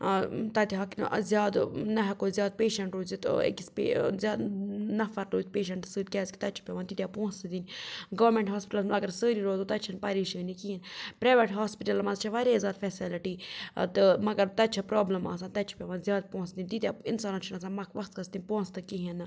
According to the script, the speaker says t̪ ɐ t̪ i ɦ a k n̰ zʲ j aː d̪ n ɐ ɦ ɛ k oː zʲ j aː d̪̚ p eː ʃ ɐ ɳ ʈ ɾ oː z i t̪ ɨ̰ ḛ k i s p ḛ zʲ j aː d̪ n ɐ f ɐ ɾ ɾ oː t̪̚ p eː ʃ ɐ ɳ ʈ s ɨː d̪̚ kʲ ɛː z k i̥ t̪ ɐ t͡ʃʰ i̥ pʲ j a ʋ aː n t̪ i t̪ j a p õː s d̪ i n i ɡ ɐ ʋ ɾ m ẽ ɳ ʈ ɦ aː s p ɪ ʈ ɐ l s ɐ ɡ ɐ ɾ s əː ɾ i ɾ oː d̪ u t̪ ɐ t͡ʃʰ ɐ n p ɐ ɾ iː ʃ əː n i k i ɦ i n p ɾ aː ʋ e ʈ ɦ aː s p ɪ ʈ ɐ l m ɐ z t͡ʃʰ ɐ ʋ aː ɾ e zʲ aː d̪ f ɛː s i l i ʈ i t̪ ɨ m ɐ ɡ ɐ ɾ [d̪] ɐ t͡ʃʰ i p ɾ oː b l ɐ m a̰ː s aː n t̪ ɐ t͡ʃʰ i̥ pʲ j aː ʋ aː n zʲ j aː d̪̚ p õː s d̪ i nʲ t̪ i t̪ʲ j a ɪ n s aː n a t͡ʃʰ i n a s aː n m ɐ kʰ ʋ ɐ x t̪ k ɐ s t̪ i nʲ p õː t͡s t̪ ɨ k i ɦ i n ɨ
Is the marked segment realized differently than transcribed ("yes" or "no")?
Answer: yes